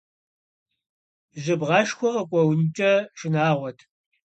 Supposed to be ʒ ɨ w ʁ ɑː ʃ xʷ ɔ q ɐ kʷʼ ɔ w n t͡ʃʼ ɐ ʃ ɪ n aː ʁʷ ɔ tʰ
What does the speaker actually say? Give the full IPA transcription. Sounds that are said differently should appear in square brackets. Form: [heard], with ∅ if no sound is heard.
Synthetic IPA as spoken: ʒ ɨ [b] ʁ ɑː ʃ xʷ ɔ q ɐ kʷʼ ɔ w n t͡ʃʼ ɐ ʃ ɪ n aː ʁʷ ɔ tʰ

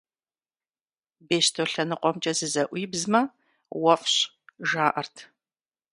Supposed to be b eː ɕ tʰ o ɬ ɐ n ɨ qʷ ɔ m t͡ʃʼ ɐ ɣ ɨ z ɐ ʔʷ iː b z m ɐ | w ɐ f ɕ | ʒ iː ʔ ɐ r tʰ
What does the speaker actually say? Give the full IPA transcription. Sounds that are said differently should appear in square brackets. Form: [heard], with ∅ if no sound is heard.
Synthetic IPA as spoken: b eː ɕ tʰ o ɬ ɐ n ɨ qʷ ɔ m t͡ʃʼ ɐ [z] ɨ z ɐ ʔʷ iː b z m ɐ | w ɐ f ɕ | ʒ [aː] ʔ ɐ r tʰ

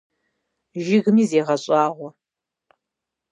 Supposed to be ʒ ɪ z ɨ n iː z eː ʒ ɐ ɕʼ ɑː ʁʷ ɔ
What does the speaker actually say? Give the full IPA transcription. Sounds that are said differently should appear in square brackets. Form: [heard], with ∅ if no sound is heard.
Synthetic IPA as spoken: ʒ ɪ [ɣ] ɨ [m] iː z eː [ʁ] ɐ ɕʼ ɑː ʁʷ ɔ

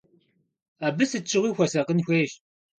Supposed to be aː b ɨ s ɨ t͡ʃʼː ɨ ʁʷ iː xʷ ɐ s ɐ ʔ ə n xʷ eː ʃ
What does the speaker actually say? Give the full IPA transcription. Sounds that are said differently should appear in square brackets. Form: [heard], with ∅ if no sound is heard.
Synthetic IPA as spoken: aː b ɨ s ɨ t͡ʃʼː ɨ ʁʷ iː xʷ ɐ s ɐ [q] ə n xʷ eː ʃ

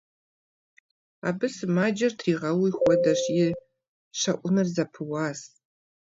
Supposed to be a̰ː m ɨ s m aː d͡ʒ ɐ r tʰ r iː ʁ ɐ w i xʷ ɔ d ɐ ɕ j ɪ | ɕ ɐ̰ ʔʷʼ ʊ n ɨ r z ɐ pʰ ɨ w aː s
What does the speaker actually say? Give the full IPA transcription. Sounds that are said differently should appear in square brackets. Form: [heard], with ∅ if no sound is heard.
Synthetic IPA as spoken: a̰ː [b] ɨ s m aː d͡ʒ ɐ r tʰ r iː ʁ ɐ w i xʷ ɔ d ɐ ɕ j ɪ | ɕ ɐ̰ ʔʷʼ ʊ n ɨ r z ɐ pʰ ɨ w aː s

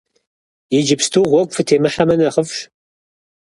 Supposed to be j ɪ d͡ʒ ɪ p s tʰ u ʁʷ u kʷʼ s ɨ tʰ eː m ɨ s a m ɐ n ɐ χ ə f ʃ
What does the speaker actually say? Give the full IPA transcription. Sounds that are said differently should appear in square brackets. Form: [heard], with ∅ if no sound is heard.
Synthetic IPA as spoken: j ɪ d͡ʒ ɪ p s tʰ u ʁʷ [ɔ] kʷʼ [f] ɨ tʰ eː m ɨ [ħ] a m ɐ n ɐ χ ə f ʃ

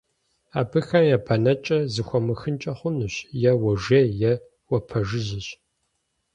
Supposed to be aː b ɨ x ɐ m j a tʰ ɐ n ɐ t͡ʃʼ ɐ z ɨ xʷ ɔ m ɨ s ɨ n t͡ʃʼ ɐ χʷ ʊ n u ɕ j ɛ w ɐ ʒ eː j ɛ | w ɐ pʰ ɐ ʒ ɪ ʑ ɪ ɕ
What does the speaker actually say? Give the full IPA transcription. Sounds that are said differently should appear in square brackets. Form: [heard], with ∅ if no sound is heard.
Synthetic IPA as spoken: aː b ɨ x ɐ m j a [pʰ] ɐ n ɐ t͡ʃʼ ɐ z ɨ xʷ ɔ m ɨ [x] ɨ n t͡ʃʼ ɐ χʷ ʊ n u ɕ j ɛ w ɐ ʒ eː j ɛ | w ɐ pʰ ɐ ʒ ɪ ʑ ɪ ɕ

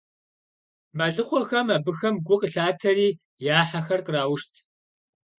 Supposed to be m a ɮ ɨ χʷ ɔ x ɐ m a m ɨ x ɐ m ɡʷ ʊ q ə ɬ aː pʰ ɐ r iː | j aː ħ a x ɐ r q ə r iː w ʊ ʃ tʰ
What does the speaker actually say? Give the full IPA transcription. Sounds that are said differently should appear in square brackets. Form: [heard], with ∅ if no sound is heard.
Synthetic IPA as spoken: m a ɮ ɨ χʷ ɔ x ɐ m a [b] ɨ x ɐ m ɡʷ ʊ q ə ɬ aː [tʰ] ɐ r iː | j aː ħ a x ɐ r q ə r [aː] w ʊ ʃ tʰ

